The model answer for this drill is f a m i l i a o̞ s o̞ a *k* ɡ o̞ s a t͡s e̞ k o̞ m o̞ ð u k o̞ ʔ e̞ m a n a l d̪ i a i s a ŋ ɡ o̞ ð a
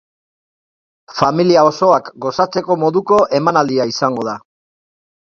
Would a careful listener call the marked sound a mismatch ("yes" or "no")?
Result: no